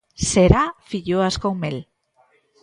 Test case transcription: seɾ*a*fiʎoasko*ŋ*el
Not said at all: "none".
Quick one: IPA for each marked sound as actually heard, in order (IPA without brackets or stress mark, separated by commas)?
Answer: a, m